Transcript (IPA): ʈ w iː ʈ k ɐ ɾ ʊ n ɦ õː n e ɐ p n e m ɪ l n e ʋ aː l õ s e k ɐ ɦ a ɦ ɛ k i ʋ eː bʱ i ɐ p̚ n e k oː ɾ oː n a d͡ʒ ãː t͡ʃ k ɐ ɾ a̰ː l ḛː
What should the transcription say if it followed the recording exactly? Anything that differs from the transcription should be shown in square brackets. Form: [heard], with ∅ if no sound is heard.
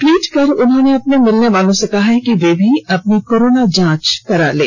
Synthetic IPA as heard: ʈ w iː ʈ k ɐ ɾ ʊ n ɦ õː n e ɐ p n e m ɪ l n e ʋ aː l õ s e k ɐ ɦ a ɦ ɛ k i ʋ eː bʱ i ɐ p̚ n [i] k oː ɾ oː n a d͡ʒ ãː t͡ʃ k ɐ ɾ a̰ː l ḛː